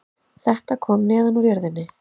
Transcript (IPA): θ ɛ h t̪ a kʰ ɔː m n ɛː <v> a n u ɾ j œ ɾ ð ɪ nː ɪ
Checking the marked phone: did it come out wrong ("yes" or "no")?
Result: yes